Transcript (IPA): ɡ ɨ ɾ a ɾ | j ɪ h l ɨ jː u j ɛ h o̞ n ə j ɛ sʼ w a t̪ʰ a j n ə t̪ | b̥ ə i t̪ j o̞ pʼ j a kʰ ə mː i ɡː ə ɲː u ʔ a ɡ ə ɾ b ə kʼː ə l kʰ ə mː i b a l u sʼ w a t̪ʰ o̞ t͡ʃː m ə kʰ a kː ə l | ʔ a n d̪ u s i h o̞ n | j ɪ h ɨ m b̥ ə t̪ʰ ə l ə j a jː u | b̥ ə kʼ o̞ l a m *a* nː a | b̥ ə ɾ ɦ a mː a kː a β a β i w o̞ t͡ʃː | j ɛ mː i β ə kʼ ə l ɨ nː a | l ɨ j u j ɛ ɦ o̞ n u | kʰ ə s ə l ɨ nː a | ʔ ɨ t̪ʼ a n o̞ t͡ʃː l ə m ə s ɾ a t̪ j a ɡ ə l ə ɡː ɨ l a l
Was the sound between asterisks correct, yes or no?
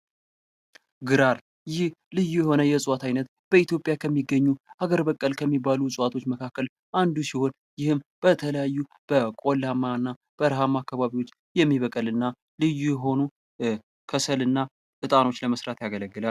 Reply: yes